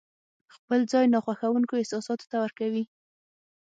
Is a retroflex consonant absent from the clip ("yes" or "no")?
yes